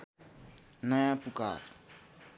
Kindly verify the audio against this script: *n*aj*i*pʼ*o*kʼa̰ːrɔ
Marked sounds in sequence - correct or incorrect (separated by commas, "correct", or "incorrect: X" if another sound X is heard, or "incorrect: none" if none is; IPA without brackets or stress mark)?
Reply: correct, incorrect: a, incorrect: u